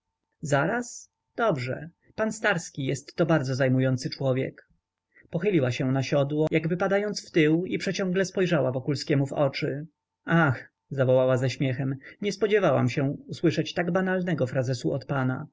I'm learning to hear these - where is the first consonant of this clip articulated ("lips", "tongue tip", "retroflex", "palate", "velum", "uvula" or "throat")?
tongue tip